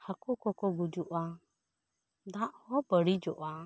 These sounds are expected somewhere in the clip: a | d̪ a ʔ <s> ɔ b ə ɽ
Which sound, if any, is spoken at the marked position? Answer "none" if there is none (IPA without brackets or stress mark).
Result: h